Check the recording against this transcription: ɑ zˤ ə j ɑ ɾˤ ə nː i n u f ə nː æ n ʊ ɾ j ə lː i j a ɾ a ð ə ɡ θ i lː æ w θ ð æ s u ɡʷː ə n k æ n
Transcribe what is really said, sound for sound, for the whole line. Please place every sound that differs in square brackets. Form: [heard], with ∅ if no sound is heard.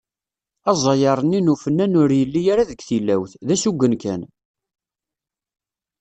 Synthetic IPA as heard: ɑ zˤ [ɑ] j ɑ ɾˤ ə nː i n u f ə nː æ n ʊ ɾ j ə lː i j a ɾ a ð ə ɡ θ i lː æ w θ ð æ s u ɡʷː ə n k æ n